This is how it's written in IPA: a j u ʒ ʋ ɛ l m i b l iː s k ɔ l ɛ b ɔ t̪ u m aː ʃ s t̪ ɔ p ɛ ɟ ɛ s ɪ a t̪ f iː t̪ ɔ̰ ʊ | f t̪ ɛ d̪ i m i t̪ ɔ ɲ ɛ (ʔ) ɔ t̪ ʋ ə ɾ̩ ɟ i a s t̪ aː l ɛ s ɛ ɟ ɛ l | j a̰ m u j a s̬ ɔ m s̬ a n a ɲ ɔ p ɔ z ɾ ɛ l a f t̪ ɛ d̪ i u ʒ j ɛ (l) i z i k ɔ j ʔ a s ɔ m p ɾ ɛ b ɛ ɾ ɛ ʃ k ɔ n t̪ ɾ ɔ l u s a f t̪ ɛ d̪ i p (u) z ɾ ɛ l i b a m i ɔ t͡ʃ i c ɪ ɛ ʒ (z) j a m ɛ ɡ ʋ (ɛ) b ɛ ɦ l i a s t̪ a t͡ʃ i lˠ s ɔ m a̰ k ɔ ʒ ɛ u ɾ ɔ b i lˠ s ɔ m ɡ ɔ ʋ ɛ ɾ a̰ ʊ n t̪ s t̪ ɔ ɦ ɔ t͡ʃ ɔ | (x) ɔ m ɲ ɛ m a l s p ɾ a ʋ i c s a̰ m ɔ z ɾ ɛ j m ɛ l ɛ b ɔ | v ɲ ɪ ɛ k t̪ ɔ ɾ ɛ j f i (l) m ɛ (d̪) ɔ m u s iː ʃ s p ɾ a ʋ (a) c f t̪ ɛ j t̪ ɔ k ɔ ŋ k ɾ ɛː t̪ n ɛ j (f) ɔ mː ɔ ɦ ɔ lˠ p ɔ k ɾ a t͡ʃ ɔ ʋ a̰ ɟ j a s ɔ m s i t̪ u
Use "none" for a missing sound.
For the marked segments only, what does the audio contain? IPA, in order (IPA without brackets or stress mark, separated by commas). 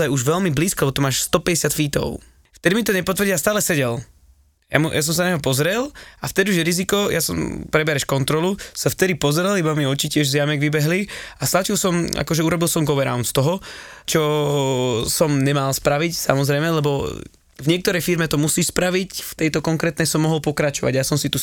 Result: p, ɾ, ɔ, z, i, s, ɾ, t̪, i, s